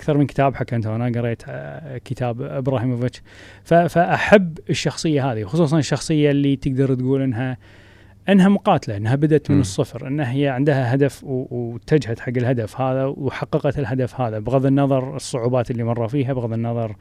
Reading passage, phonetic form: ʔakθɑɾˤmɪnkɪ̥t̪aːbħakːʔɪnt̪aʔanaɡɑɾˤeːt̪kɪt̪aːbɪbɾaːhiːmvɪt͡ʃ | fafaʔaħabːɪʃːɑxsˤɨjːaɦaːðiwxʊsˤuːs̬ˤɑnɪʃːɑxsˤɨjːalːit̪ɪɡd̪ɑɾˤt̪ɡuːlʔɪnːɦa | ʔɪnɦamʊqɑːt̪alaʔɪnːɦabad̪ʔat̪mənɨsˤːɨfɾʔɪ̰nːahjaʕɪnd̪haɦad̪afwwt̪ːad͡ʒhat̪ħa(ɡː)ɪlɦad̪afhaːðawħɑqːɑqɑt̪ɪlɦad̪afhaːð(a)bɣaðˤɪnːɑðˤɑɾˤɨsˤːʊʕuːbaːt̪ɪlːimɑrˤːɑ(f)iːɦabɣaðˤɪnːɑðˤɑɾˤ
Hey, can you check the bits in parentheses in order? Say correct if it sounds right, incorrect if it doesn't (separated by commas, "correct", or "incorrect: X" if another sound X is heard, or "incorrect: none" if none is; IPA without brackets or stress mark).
correct, correct, correct